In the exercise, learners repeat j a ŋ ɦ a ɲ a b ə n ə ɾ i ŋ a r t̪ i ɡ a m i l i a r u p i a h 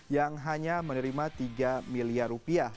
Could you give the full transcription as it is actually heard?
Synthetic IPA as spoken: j a ŋ ɦ a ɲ a m ə n ə ɾ i m a t̪ i ɡ a m i l i a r u p i a h